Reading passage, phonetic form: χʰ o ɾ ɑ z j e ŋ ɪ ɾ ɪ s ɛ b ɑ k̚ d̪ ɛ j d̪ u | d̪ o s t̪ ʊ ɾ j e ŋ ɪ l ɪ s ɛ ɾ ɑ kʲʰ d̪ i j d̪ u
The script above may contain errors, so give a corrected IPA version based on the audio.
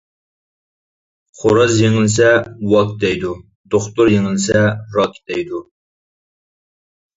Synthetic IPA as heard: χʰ o ɾ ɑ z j e ŋ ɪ l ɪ s ɛ w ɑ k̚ d̪ ɛ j d̪ u | d̪ o χ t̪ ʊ ɾ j e ŋ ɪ l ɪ s ɛ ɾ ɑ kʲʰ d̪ ɛ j d̪ u